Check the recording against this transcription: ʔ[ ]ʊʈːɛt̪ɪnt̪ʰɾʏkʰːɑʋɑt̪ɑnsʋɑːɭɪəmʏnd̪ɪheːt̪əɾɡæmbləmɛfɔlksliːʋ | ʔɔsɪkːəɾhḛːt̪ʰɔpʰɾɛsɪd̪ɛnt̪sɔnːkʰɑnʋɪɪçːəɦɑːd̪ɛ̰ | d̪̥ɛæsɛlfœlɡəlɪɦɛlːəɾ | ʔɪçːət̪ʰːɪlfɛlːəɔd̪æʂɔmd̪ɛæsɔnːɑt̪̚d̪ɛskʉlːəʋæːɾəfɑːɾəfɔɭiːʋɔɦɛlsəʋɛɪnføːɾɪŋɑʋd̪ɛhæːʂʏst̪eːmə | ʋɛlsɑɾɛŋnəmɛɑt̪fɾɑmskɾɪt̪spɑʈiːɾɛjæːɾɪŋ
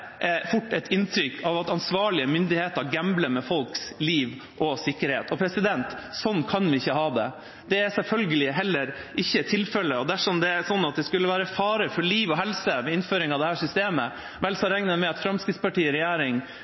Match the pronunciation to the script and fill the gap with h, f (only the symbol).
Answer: f